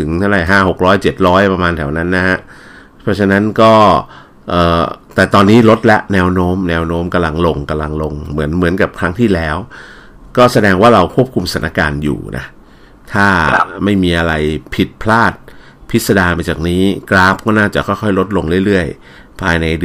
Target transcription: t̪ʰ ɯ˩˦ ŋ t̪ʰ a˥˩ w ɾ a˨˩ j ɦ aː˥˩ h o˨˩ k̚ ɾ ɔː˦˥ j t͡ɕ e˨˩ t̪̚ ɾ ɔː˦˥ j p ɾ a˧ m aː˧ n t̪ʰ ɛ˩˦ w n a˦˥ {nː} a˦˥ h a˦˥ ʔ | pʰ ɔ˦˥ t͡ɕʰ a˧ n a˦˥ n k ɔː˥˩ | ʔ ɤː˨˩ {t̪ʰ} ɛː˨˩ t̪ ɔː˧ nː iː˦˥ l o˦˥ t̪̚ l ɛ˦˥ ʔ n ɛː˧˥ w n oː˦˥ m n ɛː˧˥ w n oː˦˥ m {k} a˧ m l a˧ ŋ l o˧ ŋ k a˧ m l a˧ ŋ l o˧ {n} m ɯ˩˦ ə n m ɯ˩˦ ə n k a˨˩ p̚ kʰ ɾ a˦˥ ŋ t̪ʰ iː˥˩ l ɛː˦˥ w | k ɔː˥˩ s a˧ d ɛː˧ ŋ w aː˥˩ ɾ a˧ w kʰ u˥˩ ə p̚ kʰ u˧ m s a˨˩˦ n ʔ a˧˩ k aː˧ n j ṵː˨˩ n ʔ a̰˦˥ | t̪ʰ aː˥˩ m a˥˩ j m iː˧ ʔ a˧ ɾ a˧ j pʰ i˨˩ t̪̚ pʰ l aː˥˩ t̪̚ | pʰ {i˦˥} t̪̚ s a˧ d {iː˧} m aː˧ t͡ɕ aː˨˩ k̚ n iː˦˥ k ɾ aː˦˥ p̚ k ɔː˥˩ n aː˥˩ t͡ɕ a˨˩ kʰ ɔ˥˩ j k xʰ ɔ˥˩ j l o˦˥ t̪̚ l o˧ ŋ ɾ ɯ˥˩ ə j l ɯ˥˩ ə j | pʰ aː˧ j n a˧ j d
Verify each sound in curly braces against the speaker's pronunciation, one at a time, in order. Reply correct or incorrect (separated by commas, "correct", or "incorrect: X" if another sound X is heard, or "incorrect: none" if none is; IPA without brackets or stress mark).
correct, incorrect: t̪, correct, incorrect: ŋ, correct, incorrect: aː˧